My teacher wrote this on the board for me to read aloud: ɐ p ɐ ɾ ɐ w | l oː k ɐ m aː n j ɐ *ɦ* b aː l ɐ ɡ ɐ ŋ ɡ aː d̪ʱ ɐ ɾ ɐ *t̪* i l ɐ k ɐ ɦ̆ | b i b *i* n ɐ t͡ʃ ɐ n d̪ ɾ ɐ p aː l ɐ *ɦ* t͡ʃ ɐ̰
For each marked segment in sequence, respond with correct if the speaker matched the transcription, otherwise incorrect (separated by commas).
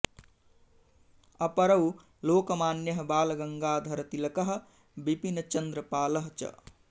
correct, correct, correct, correct